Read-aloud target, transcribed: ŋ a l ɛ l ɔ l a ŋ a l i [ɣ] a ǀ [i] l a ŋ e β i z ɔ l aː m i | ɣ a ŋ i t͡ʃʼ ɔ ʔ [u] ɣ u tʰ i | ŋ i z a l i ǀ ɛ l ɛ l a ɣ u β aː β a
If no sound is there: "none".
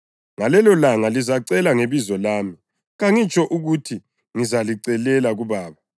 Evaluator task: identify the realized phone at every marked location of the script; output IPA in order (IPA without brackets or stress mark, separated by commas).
z, ɛ, u